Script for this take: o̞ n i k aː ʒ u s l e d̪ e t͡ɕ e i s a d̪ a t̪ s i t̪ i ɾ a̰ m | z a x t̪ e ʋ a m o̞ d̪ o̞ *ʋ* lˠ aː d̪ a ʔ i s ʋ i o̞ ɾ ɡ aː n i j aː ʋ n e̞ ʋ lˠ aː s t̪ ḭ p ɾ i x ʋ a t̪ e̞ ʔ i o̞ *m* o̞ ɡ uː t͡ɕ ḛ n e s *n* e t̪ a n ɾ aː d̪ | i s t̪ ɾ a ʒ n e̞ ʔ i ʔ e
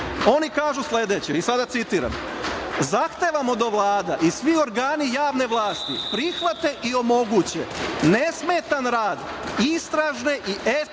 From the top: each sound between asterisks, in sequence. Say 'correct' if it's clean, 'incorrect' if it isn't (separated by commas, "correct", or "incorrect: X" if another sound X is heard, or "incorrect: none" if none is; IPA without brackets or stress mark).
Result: correct, correct, incorrect: m